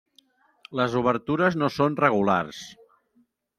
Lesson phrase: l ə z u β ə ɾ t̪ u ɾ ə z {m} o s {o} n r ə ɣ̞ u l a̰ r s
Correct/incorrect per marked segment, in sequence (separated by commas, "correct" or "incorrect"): incorrect, correct